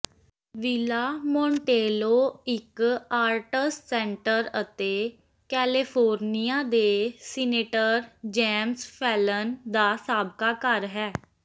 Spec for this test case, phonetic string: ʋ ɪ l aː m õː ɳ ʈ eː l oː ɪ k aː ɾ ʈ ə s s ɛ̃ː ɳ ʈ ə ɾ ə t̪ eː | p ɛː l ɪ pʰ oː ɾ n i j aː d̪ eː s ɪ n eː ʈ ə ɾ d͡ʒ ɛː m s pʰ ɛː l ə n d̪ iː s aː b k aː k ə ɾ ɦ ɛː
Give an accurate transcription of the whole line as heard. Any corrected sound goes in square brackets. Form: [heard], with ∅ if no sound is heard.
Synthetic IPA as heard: ʋ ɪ l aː m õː ɳ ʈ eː l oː ɪ k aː ɾ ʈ ə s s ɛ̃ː ɳ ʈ ə ɾ ə t̪ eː | [k] ɛː l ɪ pʰ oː ɾ n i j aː d̪ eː s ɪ n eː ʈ ə ɾ d͡ʒ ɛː m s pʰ ɛː l ə n d̪ [aː] s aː b k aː k ə ɾ ɦ ɛː

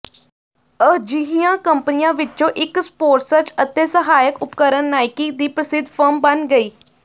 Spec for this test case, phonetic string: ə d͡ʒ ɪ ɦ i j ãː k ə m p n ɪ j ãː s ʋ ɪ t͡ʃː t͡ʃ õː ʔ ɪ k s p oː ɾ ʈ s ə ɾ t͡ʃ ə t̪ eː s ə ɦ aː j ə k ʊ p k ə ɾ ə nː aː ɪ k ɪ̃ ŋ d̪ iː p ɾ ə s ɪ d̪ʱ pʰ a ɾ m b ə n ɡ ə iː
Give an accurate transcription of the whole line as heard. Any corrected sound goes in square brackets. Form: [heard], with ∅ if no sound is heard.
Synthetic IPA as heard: ə d͡ʒ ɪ ɦ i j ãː k ə m p n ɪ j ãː [∅] ʋ ɪ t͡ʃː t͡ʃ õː ʔ ɪ k s p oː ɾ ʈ s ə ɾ t͡ʃ ə t̪ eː s ə ɦ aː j ə k ʊ p k ə ɾ ə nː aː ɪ k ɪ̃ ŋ d̪ iː p ɾ ə s ɪ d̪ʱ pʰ [ə] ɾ m b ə n ɡ ə iː

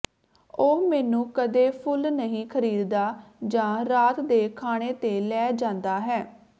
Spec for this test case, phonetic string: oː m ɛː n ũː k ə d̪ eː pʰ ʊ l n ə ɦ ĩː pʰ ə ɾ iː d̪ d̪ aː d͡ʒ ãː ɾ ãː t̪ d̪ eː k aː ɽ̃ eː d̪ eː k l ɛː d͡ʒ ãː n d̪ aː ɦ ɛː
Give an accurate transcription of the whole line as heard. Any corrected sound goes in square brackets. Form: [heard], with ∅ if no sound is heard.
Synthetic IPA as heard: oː m ɛː n ũː k ə d̪ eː pʰ ʊ l n ə ɦ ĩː [kʰ] ə ɾ iː d̪ d̪ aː d͡ʒ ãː ɾ [aː] t̪ d̪ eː [kʰ] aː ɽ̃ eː [t̪] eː [∅] l ɛː d͡ʒ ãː n d̪ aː ɦ ɛː

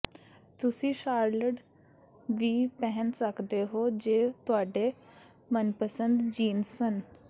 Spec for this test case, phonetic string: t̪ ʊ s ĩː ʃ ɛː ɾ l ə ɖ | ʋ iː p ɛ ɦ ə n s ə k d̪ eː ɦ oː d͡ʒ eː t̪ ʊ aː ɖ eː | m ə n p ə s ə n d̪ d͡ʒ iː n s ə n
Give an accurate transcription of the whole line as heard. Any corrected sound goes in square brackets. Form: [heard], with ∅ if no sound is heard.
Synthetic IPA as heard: t̪ ʊ s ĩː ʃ [aː] ɾ l ə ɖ | ʋ iː p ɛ ɦ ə n s ə k d̪ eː ɦ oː d͡ʒ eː t̪ ʊ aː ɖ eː | m ə n p ə s ə n d̪ d͡ʒ iː n s ə n

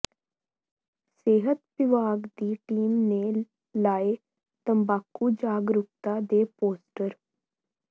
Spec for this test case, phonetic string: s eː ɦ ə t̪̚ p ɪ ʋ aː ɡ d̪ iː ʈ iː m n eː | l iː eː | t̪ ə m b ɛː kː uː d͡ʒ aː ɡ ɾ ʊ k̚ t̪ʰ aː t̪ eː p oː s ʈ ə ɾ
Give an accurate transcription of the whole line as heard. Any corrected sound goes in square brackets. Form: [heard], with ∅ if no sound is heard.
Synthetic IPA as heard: s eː ɦ ə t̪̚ p ɪ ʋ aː ɡ d̪ iː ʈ iː m n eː | l [aː] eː | t̪ ə m b [aː] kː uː d͡ʒ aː ɡ ɾ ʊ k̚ [t̪] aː [d̪] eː p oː s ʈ ə ɾ

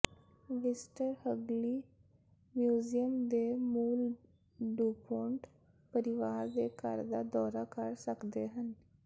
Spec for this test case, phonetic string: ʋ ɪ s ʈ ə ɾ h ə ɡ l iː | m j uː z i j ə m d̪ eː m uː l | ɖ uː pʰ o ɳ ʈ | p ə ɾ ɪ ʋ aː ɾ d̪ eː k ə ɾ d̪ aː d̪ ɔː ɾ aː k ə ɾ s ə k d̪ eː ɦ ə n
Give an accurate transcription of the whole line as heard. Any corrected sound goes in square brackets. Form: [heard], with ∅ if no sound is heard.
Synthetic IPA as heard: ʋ ɪ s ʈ ə ɾ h ə ɡ l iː | m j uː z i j ə m d̪ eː m uː l | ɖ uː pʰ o ɳ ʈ | p ə ɾ ɪ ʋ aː ɾ d̪ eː k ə ɾ d̪ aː d̪ ɔː ɾ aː k ə ɾ s ə k d̪ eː ɦ ə n

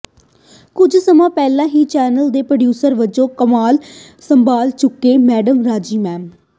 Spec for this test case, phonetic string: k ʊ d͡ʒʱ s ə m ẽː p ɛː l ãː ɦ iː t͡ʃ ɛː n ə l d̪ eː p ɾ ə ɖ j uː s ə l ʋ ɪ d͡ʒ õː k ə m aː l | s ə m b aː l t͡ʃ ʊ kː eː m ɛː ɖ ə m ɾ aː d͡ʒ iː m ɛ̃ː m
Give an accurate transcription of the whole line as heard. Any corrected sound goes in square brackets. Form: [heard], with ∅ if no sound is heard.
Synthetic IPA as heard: k ʊ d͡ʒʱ s ə m [ãː] p ɛː l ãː ɦ iː t͡ʃ ɛː n ə l d̪ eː p ɾ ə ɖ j uː s ə [ɾ] ʋ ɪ d͡ʒ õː k ə m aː l | s ə m b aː l t͡ʃ ʊ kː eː m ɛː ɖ ə m ɾ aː d͡ʒ iː m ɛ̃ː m

